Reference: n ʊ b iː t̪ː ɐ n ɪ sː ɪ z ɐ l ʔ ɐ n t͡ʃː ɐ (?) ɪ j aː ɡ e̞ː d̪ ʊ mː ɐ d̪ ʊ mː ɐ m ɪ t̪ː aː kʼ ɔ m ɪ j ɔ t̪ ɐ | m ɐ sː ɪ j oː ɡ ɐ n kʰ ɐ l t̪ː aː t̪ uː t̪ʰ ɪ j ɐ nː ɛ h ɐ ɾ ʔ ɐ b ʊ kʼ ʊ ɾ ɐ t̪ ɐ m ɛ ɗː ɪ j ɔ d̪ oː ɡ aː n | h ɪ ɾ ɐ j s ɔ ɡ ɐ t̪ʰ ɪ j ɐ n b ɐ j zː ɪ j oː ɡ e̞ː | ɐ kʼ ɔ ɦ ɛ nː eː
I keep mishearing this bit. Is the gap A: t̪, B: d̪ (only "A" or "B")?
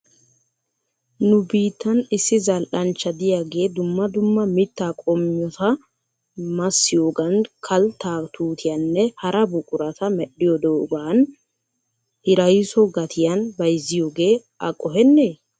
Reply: B